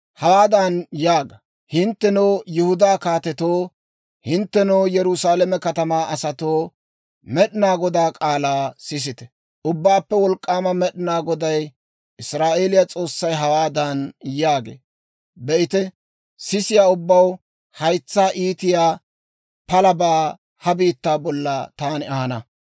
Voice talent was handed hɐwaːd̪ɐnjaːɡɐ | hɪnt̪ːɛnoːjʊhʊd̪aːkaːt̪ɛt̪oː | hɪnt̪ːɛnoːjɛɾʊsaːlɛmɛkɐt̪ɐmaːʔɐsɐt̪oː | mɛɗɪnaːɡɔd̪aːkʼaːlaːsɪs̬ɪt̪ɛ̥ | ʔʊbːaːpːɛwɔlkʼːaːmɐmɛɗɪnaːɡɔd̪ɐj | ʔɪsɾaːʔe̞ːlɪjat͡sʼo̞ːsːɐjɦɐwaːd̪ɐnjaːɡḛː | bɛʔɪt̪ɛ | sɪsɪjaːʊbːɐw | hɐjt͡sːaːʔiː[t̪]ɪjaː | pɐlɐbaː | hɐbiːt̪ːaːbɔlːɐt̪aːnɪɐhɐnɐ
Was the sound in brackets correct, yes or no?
yes